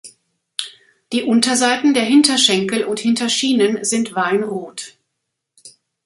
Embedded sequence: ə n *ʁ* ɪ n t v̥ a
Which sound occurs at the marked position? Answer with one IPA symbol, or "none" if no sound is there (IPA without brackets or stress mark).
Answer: z